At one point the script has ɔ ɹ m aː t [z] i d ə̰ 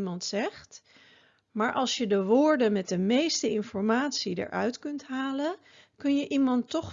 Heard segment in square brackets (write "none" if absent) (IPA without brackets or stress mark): s